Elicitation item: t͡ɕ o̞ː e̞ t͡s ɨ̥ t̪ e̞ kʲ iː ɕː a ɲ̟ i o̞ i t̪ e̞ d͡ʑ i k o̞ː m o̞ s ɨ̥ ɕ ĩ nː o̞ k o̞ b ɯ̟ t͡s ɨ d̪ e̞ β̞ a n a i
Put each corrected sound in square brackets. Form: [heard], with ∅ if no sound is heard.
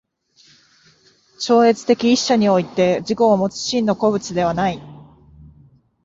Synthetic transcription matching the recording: t͡ɕ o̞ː e̞ t͡s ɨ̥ t̪ e̞ kʲ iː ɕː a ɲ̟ i o̞ i t̪ e̞ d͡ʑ i k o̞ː m o̞ [t͡s] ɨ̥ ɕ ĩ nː o̞ k o̞ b ɯ̟ t͡s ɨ d̪ e̞ β̞ a n a i